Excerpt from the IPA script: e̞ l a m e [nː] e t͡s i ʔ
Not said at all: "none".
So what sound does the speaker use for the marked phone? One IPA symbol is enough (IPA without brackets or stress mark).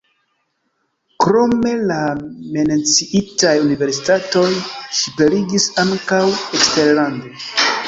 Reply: n